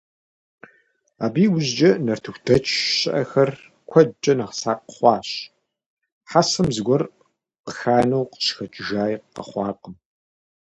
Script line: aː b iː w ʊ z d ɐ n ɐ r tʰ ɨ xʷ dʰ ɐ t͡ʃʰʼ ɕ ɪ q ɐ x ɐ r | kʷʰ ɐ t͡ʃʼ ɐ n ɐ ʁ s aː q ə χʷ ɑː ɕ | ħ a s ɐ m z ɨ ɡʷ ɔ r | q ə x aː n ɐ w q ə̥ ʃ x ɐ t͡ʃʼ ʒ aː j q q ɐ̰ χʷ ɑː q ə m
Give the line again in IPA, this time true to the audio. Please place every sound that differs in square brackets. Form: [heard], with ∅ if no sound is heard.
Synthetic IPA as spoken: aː b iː w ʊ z [d͡ʒ] ɐ n ɐ r tʰ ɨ xʷ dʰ ɐ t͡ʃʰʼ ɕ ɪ [ʔ] ɐ x ɐ r | kʷʰ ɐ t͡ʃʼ ɐ n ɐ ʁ s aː q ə χʷ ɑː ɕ | ħ a s ɐ m z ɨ ɡʷ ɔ r | q ə x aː n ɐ w q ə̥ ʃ x ɐ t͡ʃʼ ʒ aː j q q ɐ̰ χʷ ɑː q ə m

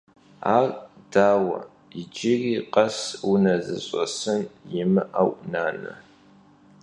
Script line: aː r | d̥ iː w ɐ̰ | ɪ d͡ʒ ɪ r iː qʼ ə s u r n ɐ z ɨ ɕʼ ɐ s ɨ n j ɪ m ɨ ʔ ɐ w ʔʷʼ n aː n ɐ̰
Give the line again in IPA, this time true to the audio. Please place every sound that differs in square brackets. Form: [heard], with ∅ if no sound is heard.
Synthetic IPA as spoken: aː r | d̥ [aː] w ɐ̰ | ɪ d͡ʒ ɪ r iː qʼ [ɐ] s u [∅] n ɐ z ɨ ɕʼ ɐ s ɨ n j ɪ m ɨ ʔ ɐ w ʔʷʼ n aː n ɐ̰

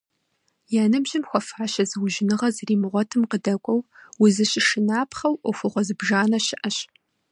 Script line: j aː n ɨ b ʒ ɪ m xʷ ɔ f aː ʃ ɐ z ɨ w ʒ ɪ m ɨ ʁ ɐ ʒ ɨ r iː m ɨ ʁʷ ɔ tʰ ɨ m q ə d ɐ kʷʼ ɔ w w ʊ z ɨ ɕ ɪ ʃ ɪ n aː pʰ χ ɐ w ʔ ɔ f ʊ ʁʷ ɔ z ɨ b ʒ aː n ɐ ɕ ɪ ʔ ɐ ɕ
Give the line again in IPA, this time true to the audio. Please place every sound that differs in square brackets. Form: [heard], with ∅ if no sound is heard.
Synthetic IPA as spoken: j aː n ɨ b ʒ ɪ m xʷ ɔ f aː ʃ ɐ z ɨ w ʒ ɪ [n] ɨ ʁ ɐ [z] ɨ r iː m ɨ ʁʷ ɔ tʰ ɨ m q ə d ɐ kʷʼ ɔ w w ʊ z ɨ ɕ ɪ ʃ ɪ n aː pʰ χ ɐ w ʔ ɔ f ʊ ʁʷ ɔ z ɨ b ʒ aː n ɐ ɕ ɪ ʔ ɐ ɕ

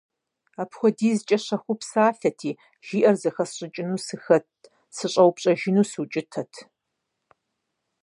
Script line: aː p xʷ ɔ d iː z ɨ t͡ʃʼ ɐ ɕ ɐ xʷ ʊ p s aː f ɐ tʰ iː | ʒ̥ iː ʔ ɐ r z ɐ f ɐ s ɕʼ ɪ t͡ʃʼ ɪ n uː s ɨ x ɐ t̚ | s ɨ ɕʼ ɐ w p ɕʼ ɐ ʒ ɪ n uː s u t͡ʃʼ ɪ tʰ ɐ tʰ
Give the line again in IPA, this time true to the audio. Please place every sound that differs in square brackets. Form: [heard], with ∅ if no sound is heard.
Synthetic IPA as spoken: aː p xʷ ɔ d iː z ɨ t͡ʃʼ ɐ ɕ ɐ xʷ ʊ p s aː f ɐ tʰ iː | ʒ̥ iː ʔ ɐ r z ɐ [x] ɐ s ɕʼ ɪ t͡ʃʼ ɪ n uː s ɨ x ɐ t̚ | s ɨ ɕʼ ɐ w p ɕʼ ɐ ʒ ɪ n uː s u t͡ʃʼ ɪ tʰ ɐ tʰ

